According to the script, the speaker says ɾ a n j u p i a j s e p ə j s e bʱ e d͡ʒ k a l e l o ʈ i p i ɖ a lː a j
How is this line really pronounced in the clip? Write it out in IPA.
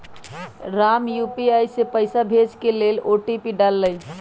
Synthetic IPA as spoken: ɾ a m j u p i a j s e p ə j s a bʱ e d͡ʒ k e l e l o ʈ i p i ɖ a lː ə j